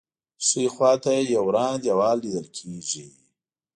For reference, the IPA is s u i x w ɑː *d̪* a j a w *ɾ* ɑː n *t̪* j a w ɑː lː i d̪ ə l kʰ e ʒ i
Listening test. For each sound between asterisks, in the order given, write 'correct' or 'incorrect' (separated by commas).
incorrect, correct, incorrect